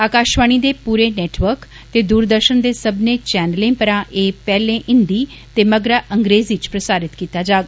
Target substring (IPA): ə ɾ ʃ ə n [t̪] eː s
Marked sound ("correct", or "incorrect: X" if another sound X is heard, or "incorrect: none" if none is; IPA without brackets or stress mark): incorrect: d̪